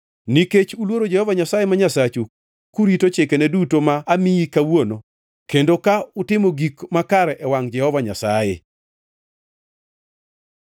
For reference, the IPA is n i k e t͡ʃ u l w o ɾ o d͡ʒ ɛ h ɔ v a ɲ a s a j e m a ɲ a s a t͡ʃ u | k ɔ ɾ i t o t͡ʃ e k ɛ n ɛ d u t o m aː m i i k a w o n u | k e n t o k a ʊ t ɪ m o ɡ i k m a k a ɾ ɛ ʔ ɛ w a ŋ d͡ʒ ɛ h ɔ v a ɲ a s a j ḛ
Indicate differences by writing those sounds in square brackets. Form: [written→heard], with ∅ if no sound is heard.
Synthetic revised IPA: n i k e t͡ʃ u l w o ɾ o d͡ʒ ɛ h ɔ v a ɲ a s a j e m a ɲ a s a t͡ʃ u | k [ɔ→u] ɾ i t o t͡ʃ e k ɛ n ɛ d u t o m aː m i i k a w o n [u→o] | k e n [t→d] o k a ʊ t ɪ m o ɡ i k m a k a ɾ ɛ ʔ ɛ w a ŋ d͡ʒ ɛ h ɔ v a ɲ a s a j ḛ